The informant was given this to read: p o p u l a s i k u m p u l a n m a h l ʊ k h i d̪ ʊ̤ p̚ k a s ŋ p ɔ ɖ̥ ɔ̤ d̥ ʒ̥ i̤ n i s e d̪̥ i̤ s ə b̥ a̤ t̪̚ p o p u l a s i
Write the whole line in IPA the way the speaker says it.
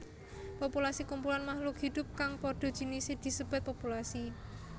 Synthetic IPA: p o p u l a s i k u m p u l a n m a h l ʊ k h i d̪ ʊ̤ p̚ k a ŋ p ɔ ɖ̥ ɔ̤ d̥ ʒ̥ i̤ n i s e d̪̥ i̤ s ə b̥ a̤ t̪̚ p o p u l a s i